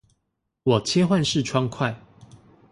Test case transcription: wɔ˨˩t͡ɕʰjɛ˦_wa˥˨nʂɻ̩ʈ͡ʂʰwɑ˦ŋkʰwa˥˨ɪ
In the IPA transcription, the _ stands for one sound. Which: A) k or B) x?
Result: B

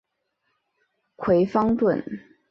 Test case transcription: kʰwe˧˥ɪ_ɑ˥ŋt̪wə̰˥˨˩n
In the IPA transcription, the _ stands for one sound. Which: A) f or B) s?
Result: A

